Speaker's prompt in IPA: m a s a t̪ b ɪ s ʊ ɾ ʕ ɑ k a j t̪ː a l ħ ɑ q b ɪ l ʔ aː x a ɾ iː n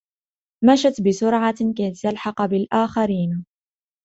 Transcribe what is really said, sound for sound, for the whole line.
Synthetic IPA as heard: m a ʃ a t̪ b ɪ s ʊ ɾ ʕ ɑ k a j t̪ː a l ħ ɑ q b ɪ l ʔ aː x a ɾ iː n